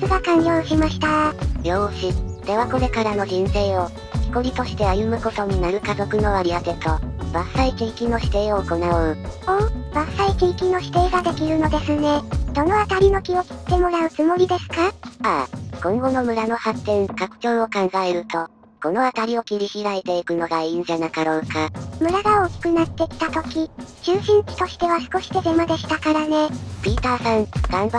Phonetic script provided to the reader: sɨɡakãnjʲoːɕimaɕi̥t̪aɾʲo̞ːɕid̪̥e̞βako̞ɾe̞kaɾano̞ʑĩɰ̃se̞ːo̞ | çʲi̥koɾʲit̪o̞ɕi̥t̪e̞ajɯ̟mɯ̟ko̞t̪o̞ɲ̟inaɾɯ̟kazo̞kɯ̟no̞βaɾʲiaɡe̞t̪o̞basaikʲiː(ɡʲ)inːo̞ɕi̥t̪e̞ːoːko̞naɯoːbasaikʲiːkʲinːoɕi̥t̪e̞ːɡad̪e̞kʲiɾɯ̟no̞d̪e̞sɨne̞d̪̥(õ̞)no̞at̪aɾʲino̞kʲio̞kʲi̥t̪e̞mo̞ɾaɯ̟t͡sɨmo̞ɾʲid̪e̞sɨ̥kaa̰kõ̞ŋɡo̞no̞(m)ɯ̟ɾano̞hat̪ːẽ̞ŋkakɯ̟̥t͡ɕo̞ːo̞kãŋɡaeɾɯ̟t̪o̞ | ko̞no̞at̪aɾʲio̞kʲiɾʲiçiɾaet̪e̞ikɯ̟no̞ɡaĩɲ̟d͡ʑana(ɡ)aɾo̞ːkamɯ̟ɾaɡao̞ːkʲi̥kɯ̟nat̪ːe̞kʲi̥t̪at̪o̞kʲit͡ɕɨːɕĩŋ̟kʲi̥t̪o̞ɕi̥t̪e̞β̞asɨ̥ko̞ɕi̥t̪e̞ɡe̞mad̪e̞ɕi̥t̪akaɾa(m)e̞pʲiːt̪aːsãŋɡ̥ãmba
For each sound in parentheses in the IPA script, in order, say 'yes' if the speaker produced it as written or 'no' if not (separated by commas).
no, no, yes, no, no